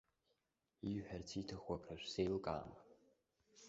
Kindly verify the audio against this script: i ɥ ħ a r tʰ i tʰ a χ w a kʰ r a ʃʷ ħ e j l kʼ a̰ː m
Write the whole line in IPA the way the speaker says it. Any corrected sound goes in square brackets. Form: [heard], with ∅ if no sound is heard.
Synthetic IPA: i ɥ ħ a r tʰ i tʰ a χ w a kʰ r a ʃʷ [s] e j l kʼ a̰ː m

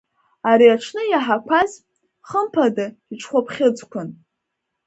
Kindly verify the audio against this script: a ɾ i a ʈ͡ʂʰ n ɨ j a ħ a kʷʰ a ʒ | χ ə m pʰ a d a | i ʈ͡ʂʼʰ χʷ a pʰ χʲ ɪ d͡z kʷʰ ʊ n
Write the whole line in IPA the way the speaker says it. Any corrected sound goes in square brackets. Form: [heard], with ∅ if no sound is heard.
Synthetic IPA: a ɾ i a ʈ͡ʂʰ n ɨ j a ħ a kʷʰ a [z] | χ ə m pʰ a d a | i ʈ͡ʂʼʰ χʷ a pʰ χʲ ɪ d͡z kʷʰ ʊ n

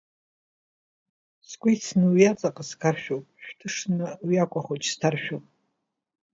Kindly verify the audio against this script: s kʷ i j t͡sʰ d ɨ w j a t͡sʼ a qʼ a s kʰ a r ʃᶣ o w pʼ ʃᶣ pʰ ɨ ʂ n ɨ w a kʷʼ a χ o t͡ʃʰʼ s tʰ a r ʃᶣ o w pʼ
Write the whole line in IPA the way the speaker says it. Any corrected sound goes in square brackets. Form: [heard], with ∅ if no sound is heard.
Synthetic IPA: s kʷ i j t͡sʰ [n] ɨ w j a t͡sʼ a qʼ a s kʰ a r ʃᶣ o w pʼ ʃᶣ [tʰ] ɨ ʂ n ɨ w a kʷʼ a χ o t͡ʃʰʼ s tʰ a r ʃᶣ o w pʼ

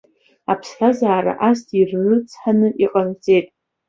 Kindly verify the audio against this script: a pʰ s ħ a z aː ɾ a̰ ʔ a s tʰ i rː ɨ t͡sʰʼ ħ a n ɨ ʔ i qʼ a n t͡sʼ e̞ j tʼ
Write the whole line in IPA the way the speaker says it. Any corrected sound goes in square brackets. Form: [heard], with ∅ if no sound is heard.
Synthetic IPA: a pʰ s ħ a z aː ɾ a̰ ʔ a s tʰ i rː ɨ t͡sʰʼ ħ a n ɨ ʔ i qʼ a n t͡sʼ e̞ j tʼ

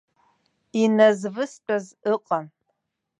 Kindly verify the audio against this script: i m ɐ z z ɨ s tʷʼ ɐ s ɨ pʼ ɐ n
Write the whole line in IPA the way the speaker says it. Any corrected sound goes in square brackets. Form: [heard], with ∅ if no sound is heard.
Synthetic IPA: i [n] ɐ z [v] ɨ s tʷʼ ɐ [z] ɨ [qʼ] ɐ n

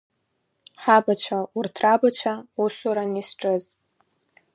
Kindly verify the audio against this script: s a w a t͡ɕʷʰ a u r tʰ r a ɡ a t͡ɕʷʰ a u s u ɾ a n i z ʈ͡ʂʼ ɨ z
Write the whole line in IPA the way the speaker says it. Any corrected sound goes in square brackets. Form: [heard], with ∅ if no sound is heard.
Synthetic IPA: [ħ] a [b] a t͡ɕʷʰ a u r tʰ r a [b] a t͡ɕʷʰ a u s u ɾ a n i [s] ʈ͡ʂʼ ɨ z

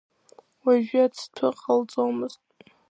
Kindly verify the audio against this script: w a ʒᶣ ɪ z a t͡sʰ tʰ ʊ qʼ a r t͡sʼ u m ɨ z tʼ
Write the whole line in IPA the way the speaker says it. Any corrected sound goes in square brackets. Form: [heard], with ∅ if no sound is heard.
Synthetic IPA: w a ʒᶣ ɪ [∅] a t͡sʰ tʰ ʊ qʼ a [l] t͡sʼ [o] m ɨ z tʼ

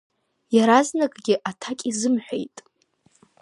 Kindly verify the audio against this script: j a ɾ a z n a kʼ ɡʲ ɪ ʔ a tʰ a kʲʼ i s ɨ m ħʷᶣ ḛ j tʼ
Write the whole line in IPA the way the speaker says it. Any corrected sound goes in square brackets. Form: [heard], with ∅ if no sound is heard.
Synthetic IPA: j a ɾ a z n a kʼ ɡʲ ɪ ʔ a tʰ a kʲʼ i [z] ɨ m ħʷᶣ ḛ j tʼ

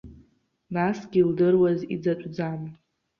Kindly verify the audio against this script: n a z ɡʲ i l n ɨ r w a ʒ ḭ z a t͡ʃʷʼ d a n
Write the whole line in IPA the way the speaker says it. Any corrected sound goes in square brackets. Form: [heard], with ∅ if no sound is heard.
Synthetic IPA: n a [s] ɡʲ i l [d] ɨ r w a [z] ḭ [d͡z] a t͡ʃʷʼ [d͡z] a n

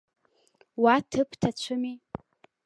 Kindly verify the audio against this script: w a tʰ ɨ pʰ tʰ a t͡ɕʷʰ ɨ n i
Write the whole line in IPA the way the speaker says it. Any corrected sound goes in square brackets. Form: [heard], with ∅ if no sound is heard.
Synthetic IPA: w a tʰ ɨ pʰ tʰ a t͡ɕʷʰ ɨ [m] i

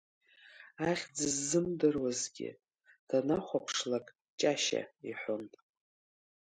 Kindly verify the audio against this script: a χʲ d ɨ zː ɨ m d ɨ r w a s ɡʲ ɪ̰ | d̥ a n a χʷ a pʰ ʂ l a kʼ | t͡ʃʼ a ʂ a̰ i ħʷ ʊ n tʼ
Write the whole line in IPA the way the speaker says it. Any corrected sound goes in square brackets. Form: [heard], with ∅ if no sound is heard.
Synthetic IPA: a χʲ [d͡z] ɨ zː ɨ m d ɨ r w a [z] ɡʲ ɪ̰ | d̥ a n a χʷ a pʰ ʂ l a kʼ | t͡ʃʼ a [ʃ] a̰ i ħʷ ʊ n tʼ

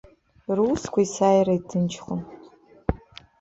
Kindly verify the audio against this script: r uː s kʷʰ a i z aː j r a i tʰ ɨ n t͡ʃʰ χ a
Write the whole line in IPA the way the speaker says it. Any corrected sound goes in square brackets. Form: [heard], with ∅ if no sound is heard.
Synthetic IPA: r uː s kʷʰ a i [s] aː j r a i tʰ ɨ n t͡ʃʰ χ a

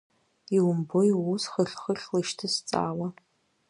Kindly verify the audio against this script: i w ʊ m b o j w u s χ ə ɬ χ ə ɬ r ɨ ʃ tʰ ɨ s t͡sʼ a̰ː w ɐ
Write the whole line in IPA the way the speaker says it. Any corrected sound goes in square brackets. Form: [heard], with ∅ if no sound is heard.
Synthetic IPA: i w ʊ m b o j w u s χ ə ɬ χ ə ɬ [l] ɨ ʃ tʰ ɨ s t͡sʼ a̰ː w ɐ

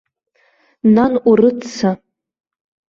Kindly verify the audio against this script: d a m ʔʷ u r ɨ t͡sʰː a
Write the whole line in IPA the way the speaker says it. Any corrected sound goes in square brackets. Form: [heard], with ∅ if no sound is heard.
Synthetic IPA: [n] a [n] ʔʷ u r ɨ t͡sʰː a

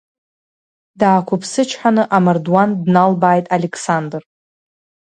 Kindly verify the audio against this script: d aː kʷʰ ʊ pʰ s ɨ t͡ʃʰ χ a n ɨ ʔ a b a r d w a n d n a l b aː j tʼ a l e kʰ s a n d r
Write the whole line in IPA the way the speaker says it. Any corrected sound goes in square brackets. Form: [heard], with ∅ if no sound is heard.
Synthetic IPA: d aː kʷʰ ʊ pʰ s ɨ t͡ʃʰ [ħ] a n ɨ ʔ a [m] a r d w a n d n a l b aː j tʼ a l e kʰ s a n d r

